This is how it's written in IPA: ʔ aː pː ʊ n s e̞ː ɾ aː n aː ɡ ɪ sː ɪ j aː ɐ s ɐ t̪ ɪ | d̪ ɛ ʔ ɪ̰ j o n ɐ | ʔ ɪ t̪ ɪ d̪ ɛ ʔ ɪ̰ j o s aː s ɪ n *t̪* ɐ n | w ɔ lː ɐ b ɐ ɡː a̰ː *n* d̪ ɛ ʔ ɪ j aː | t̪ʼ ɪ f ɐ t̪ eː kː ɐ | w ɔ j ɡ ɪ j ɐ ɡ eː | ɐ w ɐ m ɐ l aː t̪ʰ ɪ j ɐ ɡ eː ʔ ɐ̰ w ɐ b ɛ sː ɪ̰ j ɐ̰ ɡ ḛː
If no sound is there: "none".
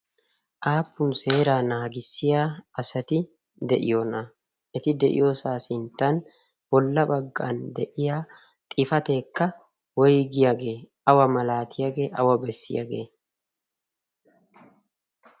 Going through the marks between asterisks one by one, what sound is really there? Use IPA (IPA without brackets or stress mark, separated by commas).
t̪, n